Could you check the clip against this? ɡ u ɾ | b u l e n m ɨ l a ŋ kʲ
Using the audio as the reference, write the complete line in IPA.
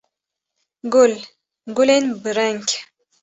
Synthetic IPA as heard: ɡ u l | ɡ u l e n b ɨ ɾ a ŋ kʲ